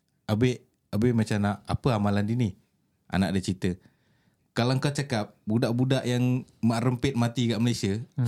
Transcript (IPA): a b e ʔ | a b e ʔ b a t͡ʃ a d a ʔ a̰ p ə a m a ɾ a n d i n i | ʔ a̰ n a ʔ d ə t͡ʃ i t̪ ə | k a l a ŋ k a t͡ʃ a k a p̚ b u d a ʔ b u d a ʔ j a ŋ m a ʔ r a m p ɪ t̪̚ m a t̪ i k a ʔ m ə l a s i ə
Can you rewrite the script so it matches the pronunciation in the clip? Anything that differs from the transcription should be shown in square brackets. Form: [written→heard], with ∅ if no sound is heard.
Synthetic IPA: a b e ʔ | a b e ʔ [b→m] a t͡ʃ a [d→n] a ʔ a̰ p ə a m a [ɾ→l] a n d i n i | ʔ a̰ n a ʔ d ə t͡ʃ i t̪ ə | k a l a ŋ k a t͡ʃ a k a p̚ b u d a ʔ b u d a ʔ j a ŋ m a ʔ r [a→ə] m p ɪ t̪̚ m a t̪ i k a ʔ m ə l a s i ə